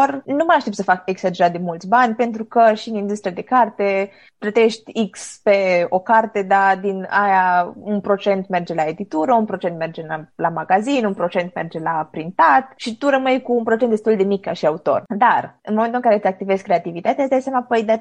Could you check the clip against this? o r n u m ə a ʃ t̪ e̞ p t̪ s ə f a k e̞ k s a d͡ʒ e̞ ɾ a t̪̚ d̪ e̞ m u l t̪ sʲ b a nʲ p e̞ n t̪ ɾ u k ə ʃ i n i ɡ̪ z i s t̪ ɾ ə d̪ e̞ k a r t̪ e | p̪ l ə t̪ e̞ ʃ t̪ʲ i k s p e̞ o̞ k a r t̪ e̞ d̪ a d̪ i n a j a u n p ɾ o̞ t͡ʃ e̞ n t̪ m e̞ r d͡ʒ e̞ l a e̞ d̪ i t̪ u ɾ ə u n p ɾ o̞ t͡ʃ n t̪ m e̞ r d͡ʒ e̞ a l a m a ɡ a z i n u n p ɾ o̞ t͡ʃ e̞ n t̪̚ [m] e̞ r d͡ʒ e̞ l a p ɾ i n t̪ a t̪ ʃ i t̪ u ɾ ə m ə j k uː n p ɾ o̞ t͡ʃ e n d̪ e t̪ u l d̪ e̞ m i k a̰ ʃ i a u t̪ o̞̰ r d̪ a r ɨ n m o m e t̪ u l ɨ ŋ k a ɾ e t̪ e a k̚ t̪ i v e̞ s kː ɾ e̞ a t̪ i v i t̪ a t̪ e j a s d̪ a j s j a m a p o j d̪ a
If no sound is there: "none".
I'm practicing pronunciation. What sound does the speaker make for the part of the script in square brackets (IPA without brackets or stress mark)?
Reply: m